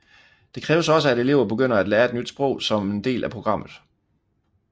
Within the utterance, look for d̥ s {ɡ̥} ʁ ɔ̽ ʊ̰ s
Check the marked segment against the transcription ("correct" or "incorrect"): incorrect